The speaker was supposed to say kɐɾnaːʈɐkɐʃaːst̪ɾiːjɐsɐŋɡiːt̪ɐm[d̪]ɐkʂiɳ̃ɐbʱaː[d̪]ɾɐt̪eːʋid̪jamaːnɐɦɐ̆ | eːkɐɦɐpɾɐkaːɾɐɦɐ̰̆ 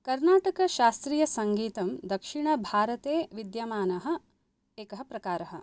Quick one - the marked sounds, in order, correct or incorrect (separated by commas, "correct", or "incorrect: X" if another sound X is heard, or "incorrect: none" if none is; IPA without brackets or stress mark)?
correct, incorrect: none